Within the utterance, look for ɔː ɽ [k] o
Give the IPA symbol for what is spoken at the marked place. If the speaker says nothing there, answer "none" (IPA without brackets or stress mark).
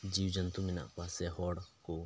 k